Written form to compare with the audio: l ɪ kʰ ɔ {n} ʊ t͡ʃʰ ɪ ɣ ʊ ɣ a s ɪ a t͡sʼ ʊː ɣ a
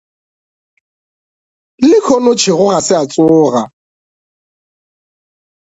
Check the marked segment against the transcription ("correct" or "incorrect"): correct